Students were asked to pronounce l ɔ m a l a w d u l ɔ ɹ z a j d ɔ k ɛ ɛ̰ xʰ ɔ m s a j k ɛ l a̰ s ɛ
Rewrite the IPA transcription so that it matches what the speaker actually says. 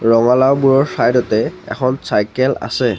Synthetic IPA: ɹ ɔ ŋ a l a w b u ɹ ɔ ɹ s a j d ɔ t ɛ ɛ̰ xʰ ɔ n s a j k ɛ l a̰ s ɛ